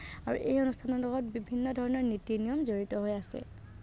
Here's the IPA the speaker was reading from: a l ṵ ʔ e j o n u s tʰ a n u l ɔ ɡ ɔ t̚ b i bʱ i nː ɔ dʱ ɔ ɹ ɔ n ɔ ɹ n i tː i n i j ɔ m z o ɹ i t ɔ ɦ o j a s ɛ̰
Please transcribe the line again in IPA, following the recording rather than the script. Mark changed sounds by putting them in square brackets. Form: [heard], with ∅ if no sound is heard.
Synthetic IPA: a [ɹ] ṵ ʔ e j o n u s tʰ a n [ɔ] l ɔ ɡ ɔ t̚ b i bʱ i nː ɔ dʱ ɔ ɹ ɔ n ɔ ɹ n i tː i n i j ɔ m z o ɹ i t ɔ ɦ o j a s ɛ̰